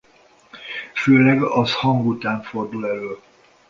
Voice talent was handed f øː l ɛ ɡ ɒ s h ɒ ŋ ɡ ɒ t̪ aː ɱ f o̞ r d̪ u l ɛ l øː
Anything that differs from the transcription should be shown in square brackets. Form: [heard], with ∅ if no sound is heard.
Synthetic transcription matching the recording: f øː l ɛ ɡ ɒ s h ɒ ŋ ɡ [u] t̪ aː ɱ f o̞ r d̪ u l ɛ l øː